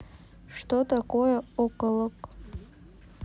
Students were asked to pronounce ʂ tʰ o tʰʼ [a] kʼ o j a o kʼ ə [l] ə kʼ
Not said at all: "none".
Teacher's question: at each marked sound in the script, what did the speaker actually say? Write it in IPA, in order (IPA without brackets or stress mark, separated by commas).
a, l